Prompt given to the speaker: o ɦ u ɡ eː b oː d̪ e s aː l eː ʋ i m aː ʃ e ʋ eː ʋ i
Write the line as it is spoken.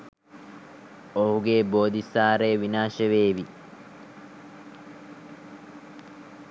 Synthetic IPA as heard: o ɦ u ɡ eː b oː d̪ i s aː ɾ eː ʋ i n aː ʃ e ʋ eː ʋ i